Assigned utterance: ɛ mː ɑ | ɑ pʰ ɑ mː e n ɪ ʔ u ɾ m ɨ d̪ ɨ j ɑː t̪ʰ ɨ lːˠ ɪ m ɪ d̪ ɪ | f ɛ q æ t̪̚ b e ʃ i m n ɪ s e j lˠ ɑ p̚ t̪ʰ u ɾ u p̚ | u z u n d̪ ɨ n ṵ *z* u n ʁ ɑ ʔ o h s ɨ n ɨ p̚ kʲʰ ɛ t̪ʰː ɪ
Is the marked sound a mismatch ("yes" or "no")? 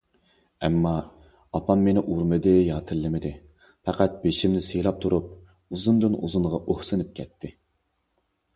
no